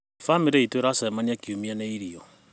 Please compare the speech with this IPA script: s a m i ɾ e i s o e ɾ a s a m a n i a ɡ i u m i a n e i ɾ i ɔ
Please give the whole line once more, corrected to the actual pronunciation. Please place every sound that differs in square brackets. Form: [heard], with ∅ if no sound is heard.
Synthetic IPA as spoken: [f] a m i ɾ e i [t] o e ɾ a s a m a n i a [k] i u m i a n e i ɾ i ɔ